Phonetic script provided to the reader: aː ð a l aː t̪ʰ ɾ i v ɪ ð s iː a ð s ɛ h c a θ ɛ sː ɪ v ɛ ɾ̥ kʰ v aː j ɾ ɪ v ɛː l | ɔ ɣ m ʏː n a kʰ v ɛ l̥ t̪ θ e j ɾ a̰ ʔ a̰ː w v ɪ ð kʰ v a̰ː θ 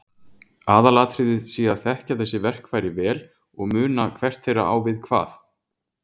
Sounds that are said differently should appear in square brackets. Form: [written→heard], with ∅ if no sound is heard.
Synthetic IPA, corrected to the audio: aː ð a l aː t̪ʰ ɾ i [v→ð] ɪ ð s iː a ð [s→θ] ɛ h c a θ ɛ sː ɪ v ɛ [ɾ̥→r̥] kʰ v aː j ɾ ɪ v ɛː l | ɔ ɣ m ʏː n a kʰ v ɛ [l̥→r̥] t̪ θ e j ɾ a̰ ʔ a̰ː w v ɪ ð kʰ v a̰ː θ